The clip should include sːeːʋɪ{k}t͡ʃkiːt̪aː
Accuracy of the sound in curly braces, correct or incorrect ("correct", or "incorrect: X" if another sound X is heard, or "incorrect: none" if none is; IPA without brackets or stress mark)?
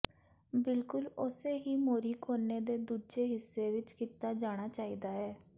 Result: incorrect: none